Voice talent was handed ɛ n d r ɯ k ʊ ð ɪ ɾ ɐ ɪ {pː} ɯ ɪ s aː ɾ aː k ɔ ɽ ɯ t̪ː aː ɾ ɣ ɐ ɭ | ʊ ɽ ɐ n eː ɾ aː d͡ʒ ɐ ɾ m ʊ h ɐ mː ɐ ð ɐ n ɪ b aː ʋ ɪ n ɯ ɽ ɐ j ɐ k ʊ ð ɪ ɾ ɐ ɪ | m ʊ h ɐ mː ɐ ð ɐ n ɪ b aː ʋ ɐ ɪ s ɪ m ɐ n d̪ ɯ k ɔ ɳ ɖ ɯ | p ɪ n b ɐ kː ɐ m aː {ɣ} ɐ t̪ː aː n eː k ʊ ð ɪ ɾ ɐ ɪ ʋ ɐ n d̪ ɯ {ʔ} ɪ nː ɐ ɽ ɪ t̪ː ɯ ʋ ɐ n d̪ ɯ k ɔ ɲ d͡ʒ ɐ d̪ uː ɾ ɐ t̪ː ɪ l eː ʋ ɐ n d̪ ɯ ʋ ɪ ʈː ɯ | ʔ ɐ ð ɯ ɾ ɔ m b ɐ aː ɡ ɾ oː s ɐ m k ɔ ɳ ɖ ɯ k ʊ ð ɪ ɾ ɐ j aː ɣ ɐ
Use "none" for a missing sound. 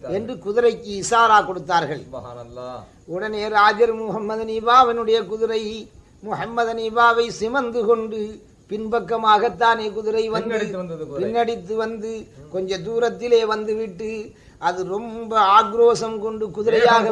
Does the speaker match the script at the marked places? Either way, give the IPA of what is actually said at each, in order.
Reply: kː, ɣ, p

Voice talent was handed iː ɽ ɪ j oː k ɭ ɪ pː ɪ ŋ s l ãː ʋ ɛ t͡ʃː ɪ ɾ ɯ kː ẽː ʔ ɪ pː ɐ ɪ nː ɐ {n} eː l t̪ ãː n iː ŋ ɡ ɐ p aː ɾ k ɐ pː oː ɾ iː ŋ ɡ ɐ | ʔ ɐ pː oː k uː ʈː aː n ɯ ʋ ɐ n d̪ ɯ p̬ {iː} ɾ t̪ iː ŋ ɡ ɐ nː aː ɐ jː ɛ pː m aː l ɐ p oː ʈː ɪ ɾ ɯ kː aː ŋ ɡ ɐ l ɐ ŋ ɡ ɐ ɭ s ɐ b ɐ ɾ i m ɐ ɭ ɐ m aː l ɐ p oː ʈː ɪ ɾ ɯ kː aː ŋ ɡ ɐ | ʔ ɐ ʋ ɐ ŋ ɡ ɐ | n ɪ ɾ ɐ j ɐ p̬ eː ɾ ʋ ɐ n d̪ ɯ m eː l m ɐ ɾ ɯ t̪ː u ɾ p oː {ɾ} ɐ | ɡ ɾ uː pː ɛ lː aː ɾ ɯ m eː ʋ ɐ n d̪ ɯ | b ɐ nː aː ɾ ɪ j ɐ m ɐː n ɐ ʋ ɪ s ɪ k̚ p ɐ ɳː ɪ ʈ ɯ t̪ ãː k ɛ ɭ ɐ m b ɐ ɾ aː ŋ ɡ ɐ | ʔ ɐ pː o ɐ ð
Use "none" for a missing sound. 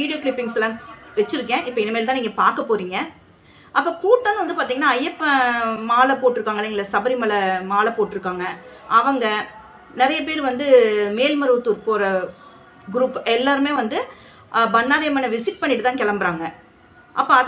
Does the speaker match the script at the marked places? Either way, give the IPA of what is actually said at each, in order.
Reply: m, aː, ɾ

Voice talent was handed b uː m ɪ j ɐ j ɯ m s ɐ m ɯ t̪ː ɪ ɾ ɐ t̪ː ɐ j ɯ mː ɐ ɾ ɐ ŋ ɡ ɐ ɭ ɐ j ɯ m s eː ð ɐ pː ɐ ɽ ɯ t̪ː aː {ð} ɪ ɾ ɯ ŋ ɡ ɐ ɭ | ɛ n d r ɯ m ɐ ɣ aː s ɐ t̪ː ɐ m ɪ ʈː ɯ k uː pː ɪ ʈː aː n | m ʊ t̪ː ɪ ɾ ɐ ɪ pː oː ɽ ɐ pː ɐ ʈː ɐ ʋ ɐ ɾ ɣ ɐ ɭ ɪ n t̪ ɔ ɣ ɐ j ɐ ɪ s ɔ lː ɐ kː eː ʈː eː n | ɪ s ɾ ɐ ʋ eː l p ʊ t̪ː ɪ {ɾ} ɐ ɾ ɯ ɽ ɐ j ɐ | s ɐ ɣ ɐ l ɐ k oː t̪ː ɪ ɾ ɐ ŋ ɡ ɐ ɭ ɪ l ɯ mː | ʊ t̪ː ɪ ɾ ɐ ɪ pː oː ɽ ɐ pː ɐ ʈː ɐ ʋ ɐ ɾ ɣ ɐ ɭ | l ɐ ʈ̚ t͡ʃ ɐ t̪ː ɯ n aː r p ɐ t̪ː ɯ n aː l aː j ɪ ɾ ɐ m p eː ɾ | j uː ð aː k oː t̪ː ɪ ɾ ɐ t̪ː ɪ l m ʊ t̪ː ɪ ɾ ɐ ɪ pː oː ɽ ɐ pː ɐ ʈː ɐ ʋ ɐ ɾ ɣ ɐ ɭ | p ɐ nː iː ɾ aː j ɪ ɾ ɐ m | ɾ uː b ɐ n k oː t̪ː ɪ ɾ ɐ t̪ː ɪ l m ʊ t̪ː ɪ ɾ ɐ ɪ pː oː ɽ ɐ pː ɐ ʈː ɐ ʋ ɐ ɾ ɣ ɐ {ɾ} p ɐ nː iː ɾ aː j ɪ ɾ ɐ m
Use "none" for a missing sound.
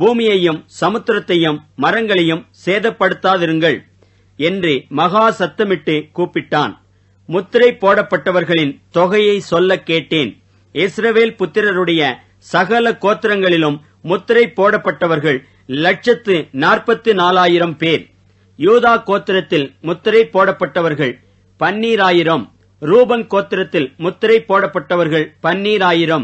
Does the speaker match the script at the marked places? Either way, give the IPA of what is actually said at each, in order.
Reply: ð, ɾ, ɭ

